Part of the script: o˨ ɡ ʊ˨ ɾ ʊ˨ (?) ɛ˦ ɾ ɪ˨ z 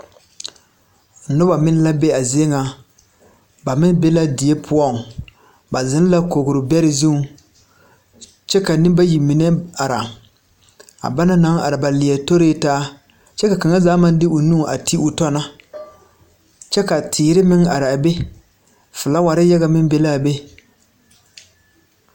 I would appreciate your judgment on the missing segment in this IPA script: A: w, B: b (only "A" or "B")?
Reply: B